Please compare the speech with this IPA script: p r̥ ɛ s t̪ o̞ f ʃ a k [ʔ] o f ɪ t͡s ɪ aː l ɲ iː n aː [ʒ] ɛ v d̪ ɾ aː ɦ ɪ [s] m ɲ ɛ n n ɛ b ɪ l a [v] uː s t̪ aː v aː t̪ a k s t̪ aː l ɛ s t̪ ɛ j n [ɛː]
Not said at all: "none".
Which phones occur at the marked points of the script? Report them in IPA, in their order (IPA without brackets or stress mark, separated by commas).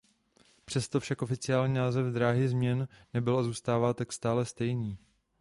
ʔ, z, z, z, iː